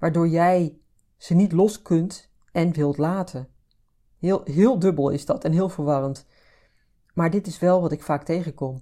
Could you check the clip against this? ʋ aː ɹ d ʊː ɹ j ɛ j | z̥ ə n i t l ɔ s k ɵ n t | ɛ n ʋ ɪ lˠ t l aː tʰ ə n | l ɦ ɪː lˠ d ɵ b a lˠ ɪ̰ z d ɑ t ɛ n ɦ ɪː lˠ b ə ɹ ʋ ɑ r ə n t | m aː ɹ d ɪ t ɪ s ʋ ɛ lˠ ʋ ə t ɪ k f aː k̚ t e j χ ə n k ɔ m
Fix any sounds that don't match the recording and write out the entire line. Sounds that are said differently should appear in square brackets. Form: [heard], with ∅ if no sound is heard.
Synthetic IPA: ʋ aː ɹ d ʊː ɹ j ɛ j | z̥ ə n i t l ɔ s k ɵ n t | ɛ n ʋ ɪ lˠ t l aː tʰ ə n | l ɦ ɪː lˠ d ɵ b [ə] lˠ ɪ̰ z d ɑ t ɛ n ɦ ɪː lˠ [v] ə ɹ ʋ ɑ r ə n t | m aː ɹ d ɪ t ɪ s ʋ ɛ lˠ ʋ [ɑ] t ɪ k f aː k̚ t e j χ ə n k ɔ m